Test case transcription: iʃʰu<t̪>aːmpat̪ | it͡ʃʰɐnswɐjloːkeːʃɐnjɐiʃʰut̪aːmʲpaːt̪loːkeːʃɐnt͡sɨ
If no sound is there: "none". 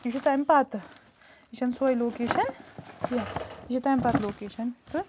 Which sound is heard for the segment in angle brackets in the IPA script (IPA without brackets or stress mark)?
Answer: t̪